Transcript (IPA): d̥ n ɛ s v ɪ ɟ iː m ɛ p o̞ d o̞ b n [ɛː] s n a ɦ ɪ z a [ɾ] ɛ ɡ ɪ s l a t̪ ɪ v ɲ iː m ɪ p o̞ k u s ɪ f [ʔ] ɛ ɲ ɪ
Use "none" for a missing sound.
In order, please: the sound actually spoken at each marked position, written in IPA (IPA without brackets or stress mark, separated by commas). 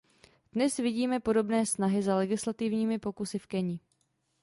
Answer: ɛː, l, k